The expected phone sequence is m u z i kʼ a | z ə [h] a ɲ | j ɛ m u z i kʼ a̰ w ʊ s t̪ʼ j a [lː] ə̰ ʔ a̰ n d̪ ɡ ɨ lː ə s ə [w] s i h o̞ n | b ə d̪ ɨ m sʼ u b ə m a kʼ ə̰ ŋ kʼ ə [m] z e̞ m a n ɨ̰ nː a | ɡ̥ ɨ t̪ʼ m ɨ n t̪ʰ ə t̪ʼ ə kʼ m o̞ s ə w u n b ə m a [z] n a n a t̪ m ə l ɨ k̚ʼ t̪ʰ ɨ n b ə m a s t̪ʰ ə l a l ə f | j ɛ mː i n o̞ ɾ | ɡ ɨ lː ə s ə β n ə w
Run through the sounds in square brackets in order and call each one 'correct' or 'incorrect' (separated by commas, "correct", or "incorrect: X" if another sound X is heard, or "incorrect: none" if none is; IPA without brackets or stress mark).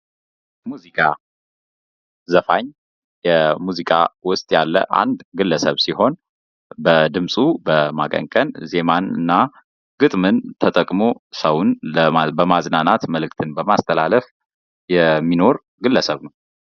incorrect: f, correct, incorrect: β, incorrect: n, correct